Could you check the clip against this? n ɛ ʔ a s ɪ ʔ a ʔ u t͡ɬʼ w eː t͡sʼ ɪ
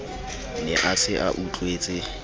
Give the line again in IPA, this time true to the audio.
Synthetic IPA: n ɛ ʔ a s ɪ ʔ a ʔ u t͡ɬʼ w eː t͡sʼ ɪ